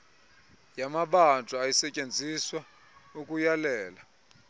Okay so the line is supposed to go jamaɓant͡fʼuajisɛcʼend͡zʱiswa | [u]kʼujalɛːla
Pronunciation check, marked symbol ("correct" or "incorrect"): correct